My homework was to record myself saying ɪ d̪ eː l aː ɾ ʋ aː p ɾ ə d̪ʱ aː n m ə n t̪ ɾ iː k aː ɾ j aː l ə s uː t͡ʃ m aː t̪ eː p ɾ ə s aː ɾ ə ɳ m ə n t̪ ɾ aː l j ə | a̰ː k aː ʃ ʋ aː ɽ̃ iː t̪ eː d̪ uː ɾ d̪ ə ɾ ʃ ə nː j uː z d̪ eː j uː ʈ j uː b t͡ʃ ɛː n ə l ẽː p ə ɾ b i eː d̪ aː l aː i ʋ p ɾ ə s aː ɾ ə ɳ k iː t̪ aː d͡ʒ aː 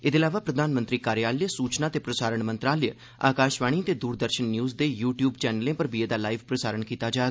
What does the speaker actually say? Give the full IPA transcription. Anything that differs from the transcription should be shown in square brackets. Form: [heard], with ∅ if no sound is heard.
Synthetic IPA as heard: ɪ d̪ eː l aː [∅] ʋ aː p ɾ ə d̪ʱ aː n m ə n t̪ ɾ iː k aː ɾ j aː l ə s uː t͡ʃ [n] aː t̪ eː p ɾ ə s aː ɾ ə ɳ m ə n t̪ ɾ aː l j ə | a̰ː k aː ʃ ʋ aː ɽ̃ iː t̪ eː d̪ uː ɾ d̪ ə ɾ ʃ ə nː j uː z d̪ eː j uː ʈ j uː b t͡ʃ ɛː n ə l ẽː p ə ɾ b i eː d̪ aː l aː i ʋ p ɾ ə s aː ɾ ə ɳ k iː t̪ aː d͡ʒ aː

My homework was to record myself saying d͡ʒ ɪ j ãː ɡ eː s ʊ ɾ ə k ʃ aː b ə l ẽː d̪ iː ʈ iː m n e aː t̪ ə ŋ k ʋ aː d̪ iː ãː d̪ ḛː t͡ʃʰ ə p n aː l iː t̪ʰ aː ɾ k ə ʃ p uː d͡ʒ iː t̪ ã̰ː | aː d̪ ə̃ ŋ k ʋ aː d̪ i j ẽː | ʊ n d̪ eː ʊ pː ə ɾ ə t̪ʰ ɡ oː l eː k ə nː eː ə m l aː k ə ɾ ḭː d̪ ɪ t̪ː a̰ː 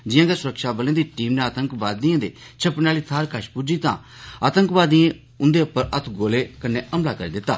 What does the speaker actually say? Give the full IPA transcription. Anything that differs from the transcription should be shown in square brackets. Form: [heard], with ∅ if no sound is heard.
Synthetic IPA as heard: d͡ʒ ɪ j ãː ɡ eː s ʊ ɾ ə k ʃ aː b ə l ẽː d̪ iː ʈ iː m n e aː t̪ ə ŋ k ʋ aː d̪ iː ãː d̪ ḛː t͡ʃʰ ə p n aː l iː t̪ʰ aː ɾ k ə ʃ p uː d͡ʒ iː t̪ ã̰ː | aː [t̪] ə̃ ŋ k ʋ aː d̪ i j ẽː | ʊ n d̪ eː ʊ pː ə ɾ ə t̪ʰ ɡ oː l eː k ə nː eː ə m l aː k ə ɾ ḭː d̪ ɪ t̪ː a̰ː

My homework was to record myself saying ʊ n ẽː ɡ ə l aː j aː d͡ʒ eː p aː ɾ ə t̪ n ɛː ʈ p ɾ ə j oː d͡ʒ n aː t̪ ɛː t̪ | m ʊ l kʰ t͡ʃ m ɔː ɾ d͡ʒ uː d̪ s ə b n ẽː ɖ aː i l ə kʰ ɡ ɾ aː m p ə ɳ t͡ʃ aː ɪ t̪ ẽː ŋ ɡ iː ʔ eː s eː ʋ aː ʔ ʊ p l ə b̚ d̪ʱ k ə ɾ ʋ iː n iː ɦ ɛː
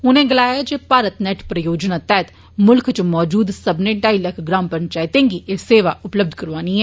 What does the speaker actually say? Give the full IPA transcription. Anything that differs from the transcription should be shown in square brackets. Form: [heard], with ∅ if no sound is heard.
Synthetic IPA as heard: ʊ n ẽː ɡ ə l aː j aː d͡ʒ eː p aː ɾ ə t̪ n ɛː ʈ p ɾ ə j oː d͡ʒ n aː t̪ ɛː t̪ | m ʊ l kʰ t͡ʃ m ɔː [∅] d͡ʒ uː d̪ s ə b n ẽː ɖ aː i l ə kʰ ɡ ɾ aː m p ə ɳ t͡ʃ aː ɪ t̪ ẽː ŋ ɡ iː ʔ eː s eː ʋ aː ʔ ʊ p l ə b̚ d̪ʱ k ə ɾ ʋ [aː] n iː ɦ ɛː

